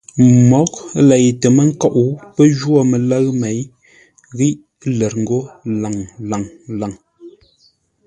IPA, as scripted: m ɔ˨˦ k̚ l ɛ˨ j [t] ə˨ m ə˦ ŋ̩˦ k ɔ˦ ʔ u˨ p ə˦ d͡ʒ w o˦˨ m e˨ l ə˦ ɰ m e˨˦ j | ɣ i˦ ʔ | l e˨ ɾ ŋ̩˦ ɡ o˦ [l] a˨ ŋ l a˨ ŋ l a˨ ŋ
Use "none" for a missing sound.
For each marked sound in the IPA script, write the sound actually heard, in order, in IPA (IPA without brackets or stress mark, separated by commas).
t, l